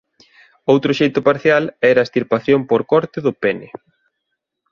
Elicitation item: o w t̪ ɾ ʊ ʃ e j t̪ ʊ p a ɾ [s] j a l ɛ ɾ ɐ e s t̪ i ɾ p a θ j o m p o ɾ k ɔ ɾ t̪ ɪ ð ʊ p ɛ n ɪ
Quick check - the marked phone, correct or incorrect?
incorrect